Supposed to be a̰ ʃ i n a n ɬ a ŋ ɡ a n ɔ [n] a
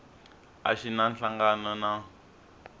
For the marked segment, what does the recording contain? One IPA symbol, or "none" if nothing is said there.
n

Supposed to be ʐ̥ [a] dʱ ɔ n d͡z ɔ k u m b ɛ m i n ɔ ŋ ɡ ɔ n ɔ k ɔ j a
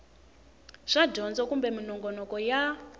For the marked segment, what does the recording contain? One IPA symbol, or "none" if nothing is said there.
a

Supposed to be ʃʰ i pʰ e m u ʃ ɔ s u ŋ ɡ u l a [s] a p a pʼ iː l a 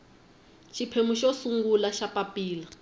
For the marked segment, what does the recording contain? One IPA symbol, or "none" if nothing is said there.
ʃ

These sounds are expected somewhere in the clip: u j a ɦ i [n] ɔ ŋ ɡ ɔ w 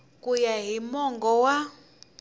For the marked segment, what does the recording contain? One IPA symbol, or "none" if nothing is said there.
m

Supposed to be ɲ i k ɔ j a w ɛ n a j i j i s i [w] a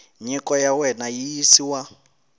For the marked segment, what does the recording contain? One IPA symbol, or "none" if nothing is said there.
w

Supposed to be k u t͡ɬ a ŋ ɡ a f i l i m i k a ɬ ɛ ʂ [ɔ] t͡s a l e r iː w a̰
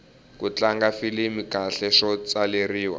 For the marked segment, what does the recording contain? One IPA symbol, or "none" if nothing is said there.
ɔ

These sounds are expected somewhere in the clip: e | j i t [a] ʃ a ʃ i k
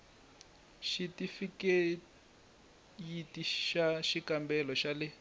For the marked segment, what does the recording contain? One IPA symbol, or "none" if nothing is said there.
i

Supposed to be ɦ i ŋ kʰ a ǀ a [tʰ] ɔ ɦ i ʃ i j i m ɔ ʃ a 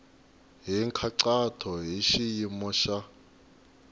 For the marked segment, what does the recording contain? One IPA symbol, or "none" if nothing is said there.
tʰ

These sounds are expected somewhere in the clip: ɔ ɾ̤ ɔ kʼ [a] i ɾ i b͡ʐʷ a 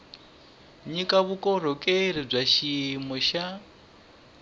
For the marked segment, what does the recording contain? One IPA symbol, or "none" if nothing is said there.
e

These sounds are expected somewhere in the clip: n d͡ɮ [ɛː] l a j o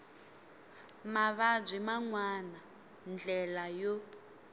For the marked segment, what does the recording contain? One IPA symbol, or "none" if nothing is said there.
ɛ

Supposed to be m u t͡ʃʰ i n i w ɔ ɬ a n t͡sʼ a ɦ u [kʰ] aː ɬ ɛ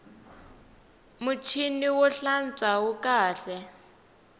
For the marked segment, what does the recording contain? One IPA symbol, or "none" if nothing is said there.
k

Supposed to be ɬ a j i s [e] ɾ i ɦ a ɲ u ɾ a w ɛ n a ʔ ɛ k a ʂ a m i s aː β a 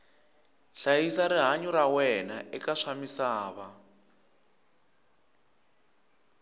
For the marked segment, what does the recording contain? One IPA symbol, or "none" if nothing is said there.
a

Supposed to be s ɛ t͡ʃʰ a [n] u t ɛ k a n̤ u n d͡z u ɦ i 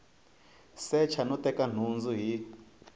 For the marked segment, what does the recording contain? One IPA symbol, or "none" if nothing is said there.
n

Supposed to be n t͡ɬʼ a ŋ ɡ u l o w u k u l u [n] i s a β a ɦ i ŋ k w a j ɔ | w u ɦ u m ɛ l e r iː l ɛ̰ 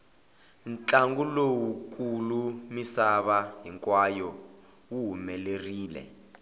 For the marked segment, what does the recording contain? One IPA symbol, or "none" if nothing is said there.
m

